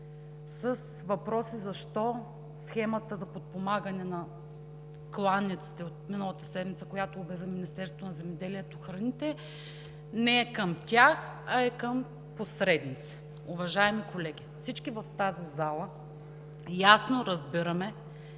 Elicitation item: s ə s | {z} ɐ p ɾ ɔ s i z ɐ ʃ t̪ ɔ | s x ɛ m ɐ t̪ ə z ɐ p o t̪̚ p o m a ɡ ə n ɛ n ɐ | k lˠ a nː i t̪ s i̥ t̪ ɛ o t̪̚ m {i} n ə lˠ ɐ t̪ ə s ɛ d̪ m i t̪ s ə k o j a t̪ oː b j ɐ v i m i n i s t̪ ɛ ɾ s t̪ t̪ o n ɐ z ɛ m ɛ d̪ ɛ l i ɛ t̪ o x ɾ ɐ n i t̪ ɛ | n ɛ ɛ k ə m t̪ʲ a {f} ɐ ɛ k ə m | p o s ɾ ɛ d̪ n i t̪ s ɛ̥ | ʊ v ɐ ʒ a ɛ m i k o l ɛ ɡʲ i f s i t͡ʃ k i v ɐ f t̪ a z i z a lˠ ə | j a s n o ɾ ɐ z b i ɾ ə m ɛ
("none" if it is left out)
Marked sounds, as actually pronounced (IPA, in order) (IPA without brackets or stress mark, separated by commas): v, i, x